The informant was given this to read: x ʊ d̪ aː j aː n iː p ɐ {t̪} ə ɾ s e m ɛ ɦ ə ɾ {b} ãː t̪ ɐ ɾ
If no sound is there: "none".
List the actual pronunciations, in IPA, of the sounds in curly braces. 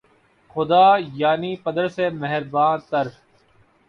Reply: d̪, b

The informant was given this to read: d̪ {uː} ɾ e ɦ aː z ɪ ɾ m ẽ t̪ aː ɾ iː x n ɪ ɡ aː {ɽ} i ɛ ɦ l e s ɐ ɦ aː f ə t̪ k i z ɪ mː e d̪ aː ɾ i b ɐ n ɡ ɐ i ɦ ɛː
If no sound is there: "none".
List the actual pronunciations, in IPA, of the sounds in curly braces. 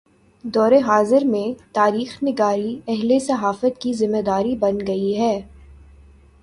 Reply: ɔː, ɾ

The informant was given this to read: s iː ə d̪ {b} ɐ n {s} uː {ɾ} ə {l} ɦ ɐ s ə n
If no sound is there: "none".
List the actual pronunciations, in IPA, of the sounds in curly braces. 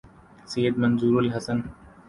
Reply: m, z, ɾ, l

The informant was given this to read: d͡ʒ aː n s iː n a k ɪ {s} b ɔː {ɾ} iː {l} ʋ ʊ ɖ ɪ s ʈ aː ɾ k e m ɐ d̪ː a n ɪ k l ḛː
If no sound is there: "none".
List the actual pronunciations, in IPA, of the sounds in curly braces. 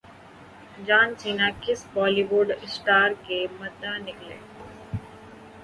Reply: s, l, none

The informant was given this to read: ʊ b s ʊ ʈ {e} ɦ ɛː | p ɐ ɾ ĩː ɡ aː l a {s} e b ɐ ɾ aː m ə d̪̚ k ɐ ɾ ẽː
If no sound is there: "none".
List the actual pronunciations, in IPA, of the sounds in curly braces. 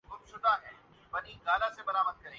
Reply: a, s

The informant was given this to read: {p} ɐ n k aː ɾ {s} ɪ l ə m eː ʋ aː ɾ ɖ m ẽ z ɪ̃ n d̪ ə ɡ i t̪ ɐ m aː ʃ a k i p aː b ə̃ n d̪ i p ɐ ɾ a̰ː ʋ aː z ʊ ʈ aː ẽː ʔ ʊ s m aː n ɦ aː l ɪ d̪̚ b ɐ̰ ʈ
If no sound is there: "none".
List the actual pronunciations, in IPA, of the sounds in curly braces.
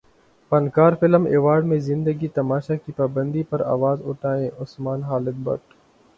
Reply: p, f

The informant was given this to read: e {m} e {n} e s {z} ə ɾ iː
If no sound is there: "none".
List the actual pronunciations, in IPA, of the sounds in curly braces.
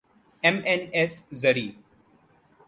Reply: m, n, z

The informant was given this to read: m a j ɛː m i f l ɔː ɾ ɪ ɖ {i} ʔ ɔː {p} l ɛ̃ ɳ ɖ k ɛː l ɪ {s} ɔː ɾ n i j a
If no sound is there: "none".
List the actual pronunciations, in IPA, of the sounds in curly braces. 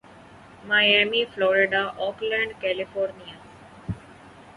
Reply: a, k, f

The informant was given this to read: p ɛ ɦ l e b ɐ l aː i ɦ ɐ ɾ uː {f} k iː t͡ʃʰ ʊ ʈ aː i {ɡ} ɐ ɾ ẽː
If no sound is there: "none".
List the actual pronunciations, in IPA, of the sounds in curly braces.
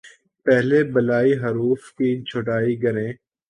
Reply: f, ɡ

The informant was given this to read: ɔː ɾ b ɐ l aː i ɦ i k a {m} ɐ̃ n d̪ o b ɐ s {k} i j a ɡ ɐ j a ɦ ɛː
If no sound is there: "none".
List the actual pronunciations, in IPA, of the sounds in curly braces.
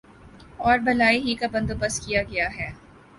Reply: b, k

